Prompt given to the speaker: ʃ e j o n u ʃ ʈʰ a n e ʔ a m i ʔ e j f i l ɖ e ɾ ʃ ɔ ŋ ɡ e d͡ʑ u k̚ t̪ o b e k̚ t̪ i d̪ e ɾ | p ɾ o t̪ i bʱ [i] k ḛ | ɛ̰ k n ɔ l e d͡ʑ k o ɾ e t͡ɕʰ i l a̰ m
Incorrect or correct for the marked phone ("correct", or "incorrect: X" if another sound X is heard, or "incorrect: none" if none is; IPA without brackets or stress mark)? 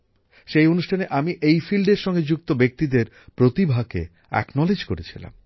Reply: incorrect: a